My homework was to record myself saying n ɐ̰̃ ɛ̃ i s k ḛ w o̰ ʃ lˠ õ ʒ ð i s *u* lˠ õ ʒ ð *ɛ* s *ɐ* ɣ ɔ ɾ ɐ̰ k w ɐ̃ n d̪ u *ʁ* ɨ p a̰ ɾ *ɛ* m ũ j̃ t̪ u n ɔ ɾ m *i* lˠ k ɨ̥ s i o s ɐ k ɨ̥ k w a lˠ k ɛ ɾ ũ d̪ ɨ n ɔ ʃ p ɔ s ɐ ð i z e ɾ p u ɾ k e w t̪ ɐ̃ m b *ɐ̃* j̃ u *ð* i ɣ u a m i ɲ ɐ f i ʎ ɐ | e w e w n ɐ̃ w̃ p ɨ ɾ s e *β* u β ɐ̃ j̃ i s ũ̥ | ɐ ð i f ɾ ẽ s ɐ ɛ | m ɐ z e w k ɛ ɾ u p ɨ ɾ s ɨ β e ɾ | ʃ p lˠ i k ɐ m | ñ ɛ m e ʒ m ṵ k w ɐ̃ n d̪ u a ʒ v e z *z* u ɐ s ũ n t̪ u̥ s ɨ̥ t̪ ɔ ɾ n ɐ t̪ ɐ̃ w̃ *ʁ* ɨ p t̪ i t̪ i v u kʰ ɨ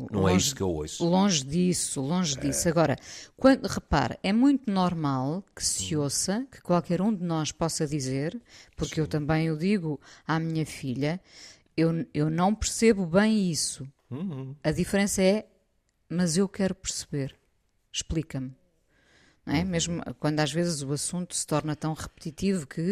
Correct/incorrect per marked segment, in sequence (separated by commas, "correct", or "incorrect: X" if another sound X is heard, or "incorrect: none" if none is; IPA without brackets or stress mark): correct, incorrect: i, correct, correct, correct, incorrect: a, correct, correct, correct, correct, correct